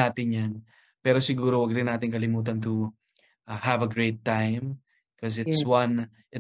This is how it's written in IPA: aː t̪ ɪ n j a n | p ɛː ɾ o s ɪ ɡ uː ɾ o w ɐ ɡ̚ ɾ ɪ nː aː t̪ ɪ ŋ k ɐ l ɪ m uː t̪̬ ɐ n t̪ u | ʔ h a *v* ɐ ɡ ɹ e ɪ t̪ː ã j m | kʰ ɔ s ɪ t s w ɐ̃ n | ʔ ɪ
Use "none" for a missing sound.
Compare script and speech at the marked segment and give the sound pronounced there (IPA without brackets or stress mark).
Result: v